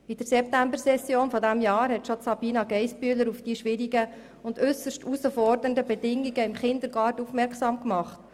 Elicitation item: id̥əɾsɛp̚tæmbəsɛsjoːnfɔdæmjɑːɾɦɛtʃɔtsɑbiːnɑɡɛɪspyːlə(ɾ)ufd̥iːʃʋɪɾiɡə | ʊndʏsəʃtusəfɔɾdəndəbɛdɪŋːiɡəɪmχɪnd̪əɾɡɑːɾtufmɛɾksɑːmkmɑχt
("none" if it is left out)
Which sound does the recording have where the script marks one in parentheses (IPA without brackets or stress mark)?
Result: ɾ